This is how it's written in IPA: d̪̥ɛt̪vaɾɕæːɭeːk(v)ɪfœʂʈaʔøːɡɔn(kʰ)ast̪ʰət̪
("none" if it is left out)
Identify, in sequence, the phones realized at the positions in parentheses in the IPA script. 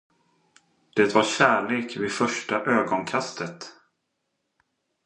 v, kʰ

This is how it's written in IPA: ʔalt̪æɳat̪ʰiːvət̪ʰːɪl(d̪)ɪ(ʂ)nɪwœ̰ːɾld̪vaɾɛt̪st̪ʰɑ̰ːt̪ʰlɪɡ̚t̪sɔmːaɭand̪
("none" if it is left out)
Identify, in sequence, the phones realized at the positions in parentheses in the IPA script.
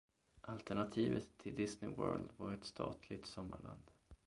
d̪, s

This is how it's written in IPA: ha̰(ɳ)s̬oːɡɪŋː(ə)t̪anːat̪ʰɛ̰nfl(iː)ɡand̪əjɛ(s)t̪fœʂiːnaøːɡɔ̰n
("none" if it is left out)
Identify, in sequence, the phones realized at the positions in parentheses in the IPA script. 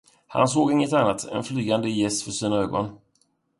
n, ə, yː, s

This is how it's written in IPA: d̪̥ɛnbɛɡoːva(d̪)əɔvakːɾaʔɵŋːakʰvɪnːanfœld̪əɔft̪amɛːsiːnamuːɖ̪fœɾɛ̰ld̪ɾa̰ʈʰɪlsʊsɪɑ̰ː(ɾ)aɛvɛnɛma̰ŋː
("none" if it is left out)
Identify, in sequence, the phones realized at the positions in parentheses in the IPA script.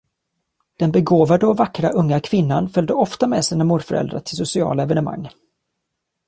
d̪, l

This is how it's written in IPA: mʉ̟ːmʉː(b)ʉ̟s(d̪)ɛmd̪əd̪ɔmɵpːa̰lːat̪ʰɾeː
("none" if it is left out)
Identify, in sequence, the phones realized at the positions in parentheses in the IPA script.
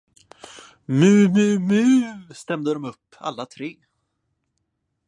m, t̪

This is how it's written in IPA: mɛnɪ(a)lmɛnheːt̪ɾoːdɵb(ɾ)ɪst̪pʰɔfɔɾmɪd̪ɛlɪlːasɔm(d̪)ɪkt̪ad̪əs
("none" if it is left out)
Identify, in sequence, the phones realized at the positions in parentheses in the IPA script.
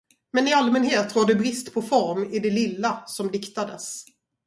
a, ɾ, d̪

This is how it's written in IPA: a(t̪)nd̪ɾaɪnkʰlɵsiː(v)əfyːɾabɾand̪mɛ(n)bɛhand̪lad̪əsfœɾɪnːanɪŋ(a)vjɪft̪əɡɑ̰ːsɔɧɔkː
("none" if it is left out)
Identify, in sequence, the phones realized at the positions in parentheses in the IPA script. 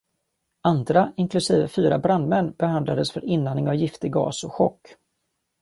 none, v, nː, a

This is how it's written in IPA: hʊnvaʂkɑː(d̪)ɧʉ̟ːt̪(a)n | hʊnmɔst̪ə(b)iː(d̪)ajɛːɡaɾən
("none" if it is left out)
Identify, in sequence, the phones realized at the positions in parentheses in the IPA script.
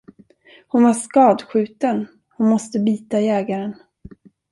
d̪, ə, b, t̪

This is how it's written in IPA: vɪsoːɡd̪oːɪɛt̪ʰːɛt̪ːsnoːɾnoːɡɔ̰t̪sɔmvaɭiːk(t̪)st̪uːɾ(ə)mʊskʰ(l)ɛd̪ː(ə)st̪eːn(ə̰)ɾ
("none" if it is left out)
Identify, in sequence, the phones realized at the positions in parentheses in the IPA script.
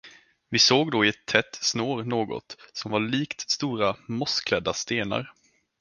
t̪, a, l, a, a̰

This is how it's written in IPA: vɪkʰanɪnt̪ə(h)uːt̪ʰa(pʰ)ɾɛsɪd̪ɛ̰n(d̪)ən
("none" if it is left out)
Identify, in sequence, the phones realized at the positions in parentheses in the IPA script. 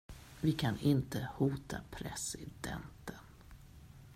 h, pʰ, t̪

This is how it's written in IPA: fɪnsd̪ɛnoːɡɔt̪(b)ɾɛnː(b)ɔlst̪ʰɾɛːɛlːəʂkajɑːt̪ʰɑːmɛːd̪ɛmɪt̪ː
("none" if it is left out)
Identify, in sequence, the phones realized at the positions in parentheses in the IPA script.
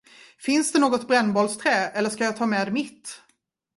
b, b

